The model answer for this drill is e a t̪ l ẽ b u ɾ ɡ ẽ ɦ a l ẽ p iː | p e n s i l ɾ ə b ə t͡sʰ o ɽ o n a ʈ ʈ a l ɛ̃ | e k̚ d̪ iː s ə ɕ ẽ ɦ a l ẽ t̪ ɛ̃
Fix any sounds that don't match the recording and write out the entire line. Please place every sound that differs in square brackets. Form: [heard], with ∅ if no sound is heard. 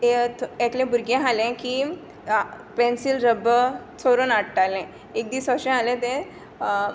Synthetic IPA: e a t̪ l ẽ b u ɾ ɡ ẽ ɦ a l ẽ [k] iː | p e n s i l ɾ ə b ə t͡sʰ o [ɾ] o n a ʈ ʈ a l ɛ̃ | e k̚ d̪ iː s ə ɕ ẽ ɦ a l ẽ t̪ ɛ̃